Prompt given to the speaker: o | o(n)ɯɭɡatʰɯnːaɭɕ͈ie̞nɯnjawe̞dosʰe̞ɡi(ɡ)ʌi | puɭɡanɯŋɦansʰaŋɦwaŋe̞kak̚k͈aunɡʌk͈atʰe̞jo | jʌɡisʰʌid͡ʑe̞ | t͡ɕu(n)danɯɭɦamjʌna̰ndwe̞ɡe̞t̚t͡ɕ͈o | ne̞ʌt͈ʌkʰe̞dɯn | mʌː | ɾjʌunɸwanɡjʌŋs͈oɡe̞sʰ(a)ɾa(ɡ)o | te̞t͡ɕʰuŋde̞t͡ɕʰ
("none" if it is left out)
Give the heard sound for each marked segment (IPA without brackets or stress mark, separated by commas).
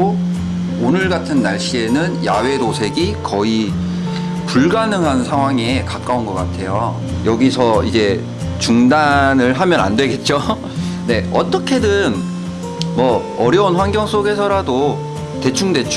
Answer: n, k, ŋ, ʌ, d